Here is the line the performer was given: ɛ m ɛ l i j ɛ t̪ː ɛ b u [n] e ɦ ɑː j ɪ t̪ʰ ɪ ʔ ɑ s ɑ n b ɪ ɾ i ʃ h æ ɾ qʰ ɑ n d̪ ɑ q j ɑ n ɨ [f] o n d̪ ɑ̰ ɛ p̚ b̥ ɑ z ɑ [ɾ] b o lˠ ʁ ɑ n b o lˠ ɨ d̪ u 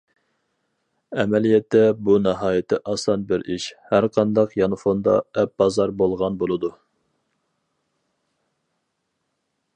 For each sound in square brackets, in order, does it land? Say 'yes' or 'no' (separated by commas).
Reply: yes, yes, yes